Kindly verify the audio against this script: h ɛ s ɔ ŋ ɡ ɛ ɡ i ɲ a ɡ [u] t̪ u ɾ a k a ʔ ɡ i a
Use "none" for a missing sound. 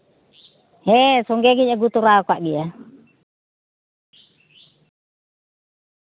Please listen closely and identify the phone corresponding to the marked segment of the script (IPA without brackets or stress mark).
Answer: u